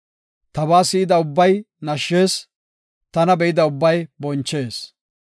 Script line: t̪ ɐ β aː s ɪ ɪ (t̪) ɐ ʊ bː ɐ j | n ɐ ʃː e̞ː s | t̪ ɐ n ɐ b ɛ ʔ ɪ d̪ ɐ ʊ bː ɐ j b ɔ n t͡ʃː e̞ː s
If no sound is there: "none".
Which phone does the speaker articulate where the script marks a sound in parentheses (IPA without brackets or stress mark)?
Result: d̪